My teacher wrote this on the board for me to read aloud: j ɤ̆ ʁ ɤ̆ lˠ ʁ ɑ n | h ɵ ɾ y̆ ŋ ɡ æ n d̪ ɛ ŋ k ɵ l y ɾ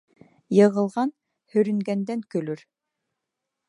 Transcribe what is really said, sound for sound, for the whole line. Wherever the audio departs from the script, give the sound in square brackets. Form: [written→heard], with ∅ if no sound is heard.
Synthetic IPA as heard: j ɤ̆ ʁ ɤ̆ lˠ ʁ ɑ n | h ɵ ɾ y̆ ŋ ɡ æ n d̪ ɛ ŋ k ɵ l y ɾ